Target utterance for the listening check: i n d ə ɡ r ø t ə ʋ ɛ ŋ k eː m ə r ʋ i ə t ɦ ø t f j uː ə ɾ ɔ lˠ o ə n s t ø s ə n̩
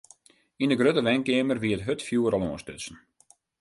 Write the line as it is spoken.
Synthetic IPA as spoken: i n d ə ɡ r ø t ə ʋ ɛ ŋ k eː m ə r ʋ i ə t ɦ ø t f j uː ə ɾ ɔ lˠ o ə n s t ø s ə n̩

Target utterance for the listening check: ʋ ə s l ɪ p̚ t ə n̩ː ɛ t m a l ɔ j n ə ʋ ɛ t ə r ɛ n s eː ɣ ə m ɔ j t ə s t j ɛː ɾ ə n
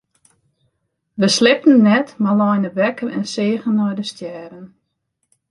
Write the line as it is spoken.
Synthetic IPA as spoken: ʋ ə s l ɪ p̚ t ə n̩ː ɛ t m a l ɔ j n ə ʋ ɛ k ə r ɛ n s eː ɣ ə n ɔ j d ə s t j ɛː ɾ ə n

